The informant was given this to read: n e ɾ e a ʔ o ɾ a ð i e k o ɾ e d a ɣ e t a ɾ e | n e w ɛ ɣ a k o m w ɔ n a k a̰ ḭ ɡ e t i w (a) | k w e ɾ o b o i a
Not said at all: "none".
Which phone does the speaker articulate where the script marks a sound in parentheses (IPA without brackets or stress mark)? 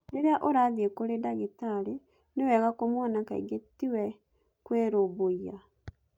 ɛ